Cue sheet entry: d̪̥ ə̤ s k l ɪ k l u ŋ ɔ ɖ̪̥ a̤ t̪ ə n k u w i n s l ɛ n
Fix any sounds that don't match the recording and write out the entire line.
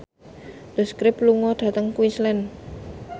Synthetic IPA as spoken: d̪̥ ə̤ s k ɾ ɪ p l u ŋ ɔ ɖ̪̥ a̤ t̪ ə ŋ k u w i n s l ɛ n